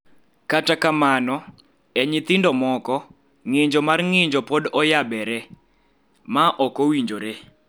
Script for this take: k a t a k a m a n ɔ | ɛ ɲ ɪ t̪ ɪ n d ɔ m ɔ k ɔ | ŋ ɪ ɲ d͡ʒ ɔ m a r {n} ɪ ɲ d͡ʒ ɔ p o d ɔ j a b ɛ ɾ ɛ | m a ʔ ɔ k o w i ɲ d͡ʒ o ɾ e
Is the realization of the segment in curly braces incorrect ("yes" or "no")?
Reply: yes